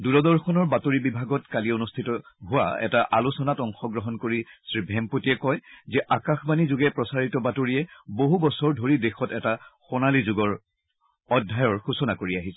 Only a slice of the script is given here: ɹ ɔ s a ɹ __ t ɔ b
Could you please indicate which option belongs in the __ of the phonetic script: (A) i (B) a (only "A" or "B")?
A